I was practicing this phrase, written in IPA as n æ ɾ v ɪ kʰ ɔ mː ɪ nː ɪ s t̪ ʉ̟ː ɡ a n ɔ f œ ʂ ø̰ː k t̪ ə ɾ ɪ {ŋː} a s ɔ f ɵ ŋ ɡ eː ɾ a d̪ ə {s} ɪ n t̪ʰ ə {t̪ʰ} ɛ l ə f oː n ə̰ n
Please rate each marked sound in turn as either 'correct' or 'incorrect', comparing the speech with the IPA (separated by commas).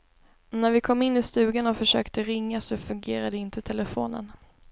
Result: correct, incorrect, correct